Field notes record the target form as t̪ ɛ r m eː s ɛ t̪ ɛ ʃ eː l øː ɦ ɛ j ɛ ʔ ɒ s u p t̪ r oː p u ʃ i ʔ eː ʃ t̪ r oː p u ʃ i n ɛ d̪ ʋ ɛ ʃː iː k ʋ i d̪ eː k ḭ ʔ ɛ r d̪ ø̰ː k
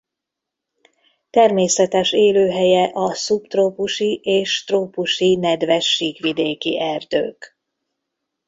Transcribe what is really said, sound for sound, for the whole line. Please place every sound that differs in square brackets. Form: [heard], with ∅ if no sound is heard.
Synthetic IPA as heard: t̪ ɛ r m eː s ɛ t̪ ɛ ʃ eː l øː ɦ ɛ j ɛ ʔ ɒ s u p t̪ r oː p u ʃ i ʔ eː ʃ t̪ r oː p u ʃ i n ɛ d̪ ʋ ɛ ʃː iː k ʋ i d̪ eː k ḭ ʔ ɛ r d̪ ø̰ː k